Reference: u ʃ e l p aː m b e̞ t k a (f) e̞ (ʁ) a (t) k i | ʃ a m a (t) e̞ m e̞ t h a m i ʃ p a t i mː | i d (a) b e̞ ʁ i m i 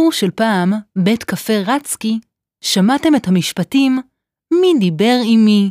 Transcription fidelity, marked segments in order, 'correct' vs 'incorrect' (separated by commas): correct, correct, incorrect, correct, incorrect